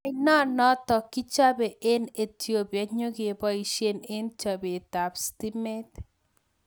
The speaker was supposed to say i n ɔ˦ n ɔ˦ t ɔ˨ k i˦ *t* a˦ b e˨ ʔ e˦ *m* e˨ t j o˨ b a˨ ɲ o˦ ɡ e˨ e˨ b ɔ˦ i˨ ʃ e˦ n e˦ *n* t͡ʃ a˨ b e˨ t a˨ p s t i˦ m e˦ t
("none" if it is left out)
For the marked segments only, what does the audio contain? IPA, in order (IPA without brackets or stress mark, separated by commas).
t͡ʃ, n, n